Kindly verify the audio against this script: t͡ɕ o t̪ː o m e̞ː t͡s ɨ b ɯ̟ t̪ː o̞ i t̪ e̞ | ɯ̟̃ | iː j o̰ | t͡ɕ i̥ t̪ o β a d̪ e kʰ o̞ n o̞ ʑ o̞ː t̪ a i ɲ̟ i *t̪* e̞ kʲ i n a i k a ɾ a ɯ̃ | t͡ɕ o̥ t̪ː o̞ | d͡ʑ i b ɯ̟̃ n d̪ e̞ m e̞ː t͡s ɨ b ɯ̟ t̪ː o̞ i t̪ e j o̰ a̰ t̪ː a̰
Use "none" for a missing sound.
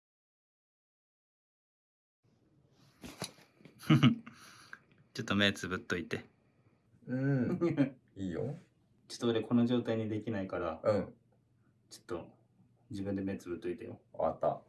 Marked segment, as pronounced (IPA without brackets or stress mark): d̪